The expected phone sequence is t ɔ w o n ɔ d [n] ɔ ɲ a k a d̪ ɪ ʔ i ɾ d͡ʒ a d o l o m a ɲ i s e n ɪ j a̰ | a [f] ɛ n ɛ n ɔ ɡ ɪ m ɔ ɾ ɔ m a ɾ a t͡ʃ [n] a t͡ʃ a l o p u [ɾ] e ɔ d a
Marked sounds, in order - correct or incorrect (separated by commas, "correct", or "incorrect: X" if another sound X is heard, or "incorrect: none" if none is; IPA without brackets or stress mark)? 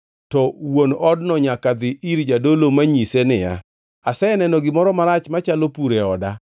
correct, incorrect: s, incorrect: m, correct